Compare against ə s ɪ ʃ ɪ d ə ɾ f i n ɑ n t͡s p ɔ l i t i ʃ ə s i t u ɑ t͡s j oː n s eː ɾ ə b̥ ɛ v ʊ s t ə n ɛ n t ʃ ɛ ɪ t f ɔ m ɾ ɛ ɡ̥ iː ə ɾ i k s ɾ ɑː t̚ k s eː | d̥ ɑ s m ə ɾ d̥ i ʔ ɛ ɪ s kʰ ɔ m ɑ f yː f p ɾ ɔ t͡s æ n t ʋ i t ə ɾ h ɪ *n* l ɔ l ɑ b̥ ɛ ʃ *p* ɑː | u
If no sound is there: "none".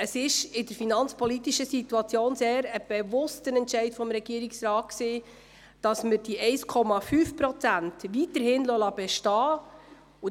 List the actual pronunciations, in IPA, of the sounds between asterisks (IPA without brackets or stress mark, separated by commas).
n, t